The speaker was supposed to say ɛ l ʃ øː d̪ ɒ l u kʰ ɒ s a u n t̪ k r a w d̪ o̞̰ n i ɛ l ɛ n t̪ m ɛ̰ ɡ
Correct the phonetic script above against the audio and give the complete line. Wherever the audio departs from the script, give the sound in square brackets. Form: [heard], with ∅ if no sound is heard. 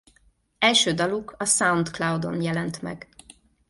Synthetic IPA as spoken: ɛ l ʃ øː d̪ ɒ l u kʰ ɒ s a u n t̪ k [l] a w d̪ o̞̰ n [j] ɛ l ɛ n t̪ m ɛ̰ ɡ

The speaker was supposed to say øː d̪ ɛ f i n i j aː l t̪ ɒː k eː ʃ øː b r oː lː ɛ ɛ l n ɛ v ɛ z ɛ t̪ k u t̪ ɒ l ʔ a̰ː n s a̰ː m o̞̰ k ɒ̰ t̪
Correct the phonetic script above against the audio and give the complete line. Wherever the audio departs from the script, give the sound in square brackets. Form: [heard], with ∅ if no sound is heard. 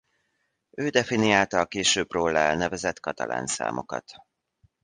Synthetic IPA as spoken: øː d̪ ɛ f i n i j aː l t̪ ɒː k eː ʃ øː b r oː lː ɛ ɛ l n ɛ v ɛ z ɛ t̪ k [ɒ] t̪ ɒ l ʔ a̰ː n s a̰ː m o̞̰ k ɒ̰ t̪

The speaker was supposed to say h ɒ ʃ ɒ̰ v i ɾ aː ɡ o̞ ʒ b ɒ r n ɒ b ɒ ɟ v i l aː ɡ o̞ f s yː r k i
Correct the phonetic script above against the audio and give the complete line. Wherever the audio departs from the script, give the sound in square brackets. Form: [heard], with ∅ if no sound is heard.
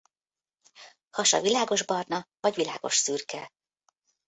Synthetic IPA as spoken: h ɒ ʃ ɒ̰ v i [l] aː ɡ o̞ ʒ b ɒ r n ɒ [v] ɒ ɟ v i l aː ɡ o̞ [ʃ] s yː r k [ɛ]

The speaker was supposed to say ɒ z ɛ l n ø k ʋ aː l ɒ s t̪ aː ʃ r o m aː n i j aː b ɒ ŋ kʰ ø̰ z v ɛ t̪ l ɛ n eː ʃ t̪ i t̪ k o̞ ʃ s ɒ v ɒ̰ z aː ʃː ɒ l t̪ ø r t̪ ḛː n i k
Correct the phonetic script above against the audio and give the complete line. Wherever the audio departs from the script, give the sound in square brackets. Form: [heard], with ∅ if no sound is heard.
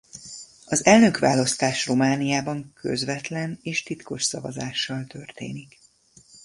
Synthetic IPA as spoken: ɒ z ɛ l n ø k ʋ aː l ɒ s t̪ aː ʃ r o m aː n i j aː b ɒ ŋ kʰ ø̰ z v ɛ t̪ l ɛ n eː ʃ t̪ i t̪ k o̞ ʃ s ɒ v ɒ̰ z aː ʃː ɒ l t̪ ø r t̪ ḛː n i k

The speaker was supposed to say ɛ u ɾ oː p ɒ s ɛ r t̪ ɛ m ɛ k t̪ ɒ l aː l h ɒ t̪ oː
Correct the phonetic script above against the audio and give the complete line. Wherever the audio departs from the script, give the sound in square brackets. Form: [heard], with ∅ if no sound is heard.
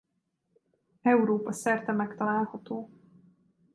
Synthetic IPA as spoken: ɛ u ɾ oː p ɒ s ɛ r t̪ ɛ m ɛ k t̪ ɒ l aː l h ɒ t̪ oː

